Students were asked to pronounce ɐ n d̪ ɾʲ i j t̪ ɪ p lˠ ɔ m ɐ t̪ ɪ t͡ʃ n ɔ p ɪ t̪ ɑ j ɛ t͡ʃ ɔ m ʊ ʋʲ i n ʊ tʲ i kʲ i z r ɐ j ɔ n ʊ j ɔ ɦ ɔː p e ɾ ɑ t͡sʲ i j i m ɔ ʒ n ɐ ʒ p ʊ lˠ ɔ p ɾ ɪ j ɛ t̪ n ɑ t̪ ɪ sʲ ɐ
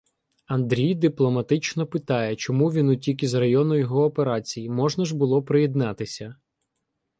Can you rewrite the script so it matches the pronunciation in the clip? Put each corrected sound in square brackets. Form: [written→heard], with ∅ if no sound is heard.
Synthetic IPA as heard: ɐ n d̪ ɾʲ i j [t̪→d̪] ɪ p lˠ ɔ m ɐ t̪ ɪ t͡ʃ n ɔ p ɪ t̪ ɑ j ɛ t͡ʃ ɔ m [ʊ→u] ʋʲ i n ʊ tʲ i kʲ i z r ɐ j ɔ n ʊ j ɔ ɦ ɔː p e ɾ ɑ t͡sʲ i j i m ɔ ʒ n ɐ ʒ [p→b] ʊ lˠ ɔ p ɾ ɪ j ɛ [t̪→d̪] n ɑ t̪ ɪ sʲ ɐ